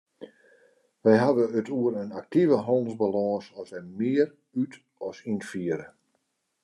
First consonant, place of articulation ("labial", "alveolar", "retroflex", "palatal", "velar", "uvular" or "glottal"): labial